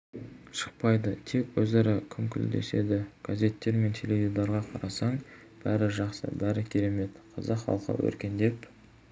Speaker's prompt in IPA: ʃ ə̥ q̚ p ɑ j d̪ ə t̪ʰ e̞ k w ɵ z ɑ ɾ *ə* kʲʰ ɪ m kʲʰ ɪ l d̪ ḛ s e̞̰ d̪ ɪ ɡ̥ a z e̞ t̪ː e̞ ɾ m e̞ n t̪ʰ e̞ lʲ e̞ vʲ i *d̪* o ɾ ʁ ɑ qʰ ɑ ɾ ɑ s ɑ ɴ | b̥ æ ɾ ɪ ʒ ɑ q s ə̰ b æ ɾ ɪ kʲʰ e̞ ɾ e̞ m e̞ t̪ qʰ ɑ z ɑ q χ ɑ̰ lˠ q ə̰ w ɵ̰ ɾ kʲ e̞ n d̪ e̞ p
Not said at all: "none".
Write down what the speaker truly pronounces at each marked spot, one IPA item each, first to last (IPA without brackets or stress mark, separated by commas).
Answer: ɑ, d̪